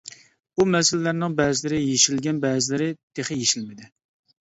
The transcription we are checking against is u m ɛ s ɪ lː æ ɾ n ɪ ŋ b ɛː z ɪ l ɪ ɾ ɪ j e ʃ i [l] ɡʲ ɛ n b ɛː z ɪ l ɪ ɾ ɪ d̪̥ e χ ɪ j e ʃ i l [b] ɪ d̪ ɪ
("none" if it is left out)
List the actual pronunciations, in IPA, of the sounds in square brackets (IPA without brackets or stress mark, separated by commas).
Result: l, m